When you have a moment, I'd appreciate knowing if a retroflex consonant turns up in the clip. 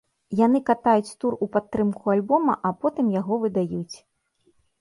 no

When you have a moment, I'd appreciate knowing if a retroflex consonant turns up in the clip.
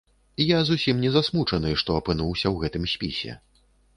yes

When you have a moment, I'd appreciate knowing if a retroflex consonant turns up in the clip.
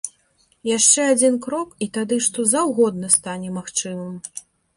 yes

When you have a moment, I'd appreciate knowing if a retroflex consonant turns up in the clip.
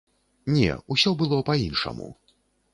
yes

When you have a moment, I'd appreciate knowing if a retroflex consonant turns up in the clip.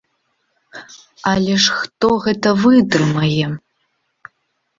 yes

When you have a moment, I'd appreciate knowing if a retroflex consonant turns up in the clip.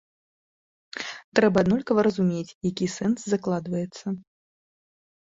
no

